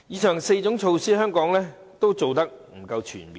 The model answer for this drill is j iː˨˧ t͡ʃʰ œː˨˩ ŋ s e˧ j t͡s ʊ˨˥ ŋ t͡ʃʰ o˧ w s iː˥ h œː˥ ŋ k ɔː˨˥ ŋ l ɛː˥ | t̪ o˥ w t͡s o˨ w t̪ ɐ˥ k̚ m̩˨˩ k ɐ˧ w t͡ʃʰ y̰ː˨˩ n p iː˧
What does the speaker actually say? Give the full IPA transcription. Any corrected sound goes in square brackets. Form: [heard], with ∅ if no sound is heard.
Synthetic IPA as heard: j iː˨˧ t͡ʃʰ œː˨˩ ŋ s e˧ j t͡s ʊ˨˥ ŋ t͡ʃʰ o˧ w s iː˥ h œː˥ ŋ k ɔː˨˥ ŋ l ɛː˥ | t̪ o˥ w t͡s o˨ w t̪ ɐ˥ k̚ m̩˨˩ k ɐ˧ w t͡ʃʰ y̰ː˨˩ n p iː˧